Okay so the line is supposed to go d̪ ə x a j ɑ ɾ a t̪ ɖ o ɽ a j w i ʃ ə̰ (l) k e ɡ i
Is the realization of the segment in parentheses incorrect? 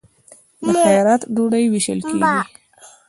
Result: no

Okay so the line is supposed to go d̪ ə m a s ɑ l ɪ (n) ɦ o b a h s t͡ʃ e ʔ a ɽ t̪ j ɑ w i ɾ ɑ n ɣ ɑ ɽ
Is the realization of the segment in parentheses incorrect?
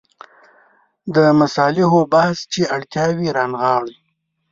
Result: yes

